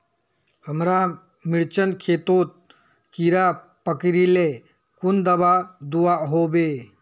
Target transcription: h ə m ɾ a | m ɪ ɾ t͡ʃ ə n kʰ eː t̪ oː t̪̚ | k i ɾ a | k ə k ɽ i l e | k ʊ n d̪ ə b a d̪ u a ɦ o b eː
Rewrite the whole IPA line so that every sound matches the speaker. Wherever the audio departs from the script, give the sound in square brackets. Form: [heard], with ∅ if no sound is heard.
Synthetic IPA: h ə m ɾ a | m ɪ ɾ t͡ʃ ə n kʰ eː t̪ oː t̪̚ | k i ɾ a | [p] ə k [ɾ] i l e | k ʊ n d̪ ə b a d̪ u a ɦ o b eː